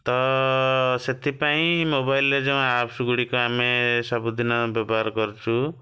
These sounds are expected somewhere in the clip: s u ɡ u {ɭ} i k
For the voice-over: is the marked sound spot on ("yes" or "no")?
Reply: no